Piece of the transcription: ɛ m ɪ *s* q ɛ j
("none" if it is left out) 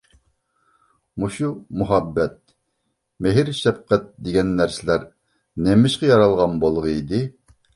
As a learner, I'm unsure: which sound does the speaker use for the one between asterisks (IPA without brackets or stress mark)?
ʃ